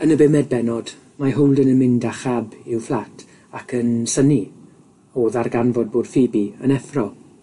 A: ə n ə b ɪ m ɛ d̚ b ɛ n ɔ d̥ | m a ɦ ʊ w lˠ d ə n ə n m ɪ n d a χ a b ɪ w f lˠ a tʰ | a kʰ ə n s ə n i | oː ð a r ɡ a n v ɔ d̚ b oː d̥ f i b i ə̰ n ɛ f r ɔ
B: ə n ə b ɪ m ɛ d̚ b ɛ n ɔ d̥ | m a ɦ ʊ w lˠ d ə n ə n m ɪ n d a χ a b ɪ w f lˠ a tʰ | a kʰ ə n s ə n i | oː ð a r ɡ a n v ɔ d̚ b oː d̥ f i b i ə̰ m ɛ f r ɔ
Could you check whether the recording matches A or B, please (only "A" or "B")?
A